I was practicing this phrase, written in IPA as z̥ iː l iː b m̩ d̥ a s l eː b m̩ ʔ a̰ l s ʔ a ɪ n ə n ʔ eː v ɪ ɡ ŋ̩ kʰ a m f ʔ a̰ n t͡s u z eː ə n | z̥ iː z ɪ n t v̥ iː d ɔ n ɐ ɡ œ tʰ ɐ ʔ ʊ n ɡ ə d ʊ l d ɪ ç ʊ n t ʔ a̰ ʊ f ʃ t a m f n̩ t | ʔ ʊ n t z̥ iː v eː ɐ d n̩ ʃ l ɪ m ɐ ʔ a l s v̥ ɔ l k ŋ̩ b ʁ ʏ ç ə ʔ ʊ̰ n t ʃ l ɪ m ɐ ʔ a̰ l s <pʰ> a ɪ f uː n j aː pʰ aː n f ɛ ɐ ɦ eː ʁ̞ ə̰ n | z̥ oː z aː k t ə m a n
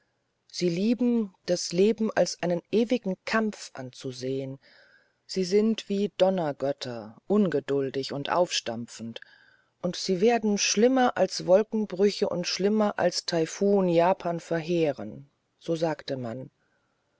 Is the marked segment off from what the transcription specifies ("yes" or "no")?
yes